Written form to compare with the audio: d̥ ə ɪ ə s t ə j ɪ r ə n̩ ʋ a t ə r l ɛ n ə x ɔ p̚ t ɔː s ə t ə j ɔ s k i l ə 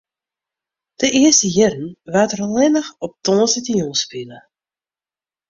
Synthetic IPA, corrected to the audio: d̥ ə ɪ ə s t ə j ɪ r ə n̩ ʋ a t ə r l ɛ n ə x ɔ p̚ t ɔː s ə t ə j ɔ s p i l ə